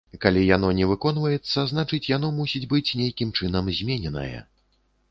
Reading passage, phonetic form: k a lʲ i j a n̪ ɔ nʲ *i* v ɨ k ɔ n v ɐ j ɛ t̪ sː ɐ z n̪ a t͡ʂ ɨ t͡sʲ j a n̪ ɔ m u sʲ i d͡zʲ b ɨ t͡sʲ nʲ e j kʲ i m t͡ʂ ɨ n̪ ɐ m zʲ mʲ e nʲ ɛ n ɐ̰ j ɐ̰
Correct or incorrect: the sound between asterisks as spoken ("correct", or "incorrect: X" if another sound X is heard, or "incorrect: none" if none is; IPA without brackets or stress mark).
incorrect: ɛ